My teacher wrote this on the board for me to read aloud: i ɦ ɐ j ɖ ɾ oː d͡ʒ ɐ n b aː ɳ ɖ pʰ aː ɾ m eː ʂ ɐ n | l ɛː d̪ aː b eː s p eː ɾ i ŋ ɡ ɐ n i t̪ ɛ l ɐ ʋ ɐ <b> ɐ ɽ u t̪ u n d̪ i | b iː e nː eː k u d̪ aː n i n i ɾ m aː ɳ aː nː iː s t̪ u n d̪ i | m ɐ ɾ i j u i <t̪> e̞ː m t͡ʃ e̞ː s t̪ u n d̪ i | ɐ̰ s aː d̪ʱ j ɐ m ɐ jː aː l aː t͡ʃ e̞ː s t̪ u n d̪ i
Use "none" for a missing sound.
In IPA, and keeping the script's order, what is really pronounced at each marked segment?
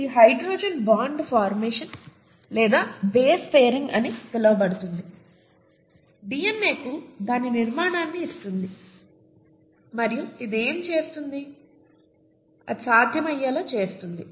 b, d̪

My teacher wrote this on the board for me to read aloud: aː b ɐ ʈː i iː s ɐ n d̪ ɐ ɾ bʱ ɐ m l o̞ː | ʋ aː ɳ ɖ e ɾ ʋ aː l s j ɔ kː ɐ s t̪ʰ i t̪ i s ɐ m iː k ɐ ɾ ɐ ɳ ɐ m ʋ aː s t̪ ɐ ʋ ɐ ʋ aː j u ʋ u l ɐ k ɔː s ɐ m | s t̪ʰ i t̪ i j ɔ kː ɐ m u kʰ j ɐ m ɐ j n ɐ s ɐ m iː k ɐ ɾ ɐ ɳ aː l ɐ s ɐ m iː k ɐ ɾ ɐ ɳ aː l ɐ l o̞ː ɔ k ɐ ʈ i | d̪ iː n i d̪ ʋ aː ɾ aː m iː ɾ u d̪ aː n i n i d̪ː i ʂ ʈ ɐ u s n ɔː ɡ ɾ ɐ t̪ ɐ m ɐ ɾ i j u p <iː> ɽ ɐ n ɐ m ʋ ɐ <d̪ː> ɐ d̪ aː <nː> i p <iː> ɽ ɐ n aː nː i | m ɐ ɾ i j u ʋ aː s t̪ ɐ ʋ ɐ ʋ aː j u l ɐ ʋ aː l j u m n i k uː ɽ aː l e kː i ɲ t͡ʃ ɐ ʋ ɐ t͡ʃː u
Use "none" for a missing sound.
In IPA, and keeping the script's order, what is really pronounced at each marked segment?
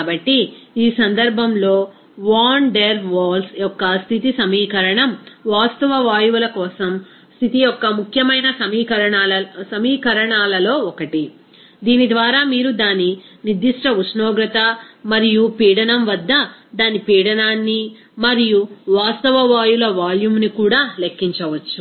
iː, d̪ː, n, iː

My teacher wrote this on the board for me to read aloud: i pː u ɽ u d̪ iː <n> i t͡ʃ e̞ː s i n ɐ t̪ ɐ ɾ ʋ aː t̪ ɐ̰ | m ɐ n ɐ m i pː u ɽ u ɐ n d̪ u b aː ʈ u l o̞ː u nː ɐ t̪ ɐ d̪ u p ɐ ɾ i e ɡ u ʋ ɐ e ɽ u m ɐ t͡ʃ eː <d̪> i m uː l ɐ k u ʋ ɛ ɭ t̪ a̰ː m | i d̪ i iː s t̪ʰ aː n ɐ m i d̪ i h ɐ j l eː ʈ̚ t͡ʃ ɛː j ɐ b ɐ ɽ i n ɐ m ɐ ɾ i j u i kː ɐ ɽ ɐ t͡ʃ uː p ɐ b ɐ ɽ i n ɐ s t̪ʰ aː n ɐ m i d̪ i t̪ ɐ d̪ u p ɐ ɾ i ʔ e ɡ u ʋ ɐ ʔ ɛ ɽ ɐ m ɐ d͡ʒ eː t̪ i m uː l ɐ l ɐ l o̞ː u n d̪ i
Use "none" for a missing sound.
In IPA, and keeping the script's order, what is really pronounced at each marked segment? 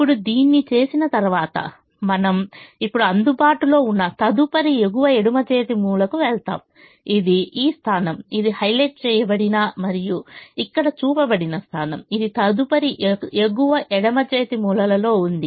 nː, t̪

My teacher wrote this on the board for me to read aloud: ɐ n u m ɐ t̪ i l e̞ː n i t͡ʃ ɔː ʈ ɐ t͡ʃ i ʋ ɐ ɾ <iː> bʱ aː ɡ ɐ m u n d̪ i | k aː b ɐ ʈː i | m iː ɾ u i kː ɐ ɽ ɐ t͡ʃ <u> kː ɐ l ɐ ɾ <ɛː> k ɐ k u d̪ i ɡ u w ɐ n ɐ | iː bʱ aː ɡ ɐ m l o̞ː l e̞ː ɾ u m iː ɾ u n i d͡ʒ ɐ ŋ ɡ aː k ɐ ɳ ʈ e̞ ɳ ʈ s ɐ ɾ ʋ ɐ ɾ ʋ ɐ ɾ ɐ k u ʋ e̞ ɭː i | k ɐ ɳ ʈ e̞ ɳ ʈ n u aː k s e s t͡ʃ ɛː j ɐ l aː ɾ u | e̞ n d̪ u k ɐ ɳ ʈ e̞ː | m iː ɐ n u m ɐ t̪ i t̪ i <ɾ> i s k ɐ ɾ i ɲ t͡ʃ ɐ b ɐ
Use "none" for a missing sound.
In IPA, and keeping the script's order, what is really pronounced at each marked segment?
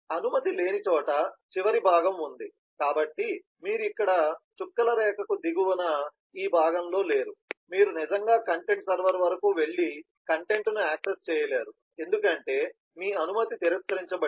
i, u, ɛː, ɾ

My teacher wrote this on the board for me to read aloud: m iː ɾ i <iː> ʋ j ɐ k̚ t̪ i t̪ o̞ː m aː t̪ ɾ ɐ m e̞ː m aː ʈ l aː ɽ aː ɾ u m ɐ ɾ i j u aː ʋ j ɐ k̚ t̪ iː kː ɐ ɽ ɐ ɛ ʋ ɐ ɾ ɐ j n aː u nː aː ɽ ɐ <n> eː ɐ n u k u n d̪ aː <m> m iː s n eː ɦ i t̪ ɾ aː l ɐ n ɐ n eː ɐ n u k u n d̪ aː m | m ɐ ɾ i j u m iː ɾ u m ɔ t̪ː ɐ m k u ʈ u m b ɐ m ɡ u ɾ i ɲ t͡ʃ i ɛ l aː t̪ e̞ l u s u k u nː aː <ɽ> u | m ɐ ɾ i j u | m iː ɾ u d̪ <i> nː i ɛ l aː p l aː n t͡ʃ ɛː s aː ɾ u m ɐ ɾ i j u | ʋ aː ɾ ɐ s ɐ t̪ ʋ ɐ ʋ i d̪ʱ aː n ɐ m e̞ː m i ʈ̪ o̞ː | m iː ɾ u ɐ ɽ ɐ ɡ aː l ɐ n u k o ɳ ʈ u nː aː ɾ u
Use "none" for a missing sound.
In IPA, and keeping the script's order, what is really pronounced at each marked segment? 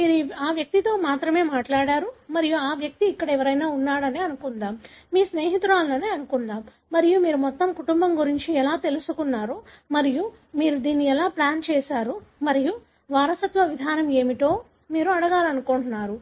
aː, n, m, ɾ, iː

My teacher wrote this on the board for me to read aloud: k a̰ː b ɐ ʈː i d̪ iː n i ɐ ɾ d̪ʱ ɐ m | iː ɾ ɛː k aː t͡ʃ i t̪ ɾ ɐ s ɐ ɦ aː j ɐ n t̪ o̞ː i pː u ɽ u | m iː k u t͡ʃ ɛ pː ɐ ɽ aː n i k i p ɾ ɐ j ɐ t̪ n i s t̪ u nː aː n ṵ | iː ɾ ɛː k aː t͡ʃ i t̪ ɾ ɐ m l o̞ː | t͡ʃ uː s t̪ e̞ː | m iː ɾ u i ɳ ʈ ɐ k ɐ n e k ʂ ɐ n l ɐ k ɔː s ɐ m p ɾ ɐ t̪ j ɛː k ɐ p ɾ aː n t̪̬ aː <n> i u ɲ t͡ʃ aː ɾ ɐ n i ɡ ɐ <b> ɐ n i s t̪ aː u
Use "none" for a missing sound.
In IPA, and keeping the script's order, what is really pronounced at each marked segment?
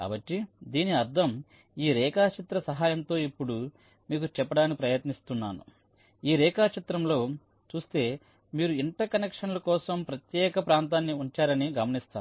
nː, m

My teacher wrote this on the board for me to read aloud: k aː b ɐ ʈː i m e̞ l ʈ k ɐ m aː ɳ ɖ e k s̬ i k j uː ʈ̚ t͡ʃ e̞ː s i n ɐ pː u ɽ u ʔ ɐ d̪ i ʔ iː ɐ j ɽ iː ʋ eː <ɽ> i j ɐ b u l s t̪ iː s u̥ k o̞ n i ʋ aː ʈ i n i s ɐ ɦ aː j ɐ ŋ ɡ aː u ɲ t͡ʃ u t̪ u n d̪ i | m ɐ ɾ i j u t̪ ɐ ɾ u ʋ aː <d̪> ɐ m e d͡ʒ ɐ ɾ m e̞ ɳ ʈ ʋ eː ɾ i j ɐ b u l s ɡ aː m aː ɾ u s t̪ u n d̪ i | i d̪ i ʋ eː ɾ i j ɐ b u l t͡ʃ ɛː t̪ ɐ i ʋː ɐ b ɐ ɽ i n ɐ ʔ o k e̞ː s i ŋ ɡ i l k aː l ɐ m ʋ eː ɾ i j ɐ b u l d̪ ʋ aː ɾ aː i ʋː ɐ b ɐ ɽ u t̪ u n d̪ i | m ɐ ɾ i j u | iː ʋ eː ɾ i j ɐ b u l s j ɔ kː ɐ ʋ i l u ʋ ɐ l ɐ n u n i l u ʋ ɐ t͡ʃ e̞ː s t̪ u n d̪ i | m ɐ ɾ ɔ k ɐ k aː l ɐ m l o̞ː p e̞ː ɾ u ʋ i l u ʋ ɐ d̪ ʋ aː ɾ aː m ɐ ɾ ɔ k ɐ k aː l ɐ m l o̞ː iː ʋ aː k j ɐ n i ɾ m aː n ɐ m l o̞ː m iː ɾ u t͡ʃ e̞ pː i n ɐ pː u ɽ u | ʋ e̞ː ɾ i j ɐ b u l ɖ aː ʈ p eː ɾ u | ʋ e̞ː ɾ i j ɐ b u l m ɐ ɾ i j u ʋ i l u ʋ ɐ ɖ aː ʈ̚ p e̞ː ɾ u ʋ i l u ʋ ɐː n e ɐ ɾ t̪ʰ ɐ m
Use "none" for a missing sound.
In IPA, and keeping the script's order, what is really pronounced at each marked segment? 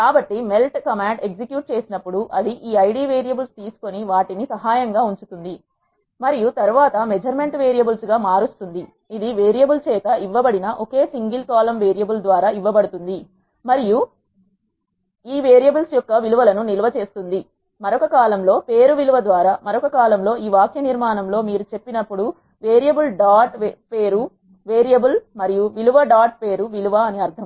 ɾ, t̪

